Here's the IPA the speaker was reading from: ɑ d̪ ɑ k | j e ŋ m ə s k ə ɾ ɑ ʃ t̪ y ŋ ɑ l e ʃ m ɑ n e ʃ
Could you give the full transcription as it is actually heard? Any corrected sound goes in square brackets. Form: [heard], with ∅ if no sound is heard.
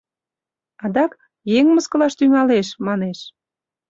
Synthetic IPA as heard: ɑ d̪ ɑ k | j e ŋ m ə s k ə [l] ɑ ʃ t̪ y ŋ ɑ l e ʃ m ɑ n e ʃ